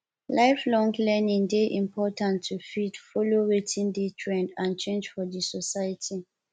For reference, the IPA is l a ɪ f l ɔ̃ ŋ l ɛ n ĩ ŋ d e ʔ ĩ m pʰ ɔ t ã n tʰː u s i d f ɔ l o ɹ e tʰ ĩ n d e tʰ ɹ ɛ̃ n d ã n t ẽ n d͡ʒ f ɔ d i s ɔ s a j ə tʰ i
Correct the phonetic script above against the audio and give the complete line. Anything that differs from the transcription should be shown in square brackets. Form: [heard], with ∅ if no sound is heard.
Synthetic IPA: l a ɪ f l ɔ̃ ŋ l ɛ n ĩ ŋ d e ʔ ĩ m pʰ ɔ t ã n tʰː u [f] i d f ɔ l o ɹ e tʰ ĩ n d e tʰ ɹ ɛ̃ n d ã n [t͡ʃ] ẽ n d͡ʒ f ɔ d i s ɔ s a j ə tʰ i